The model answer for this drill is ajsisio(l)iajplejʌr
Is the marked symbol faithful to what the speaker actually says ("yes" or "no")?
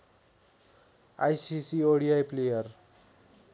no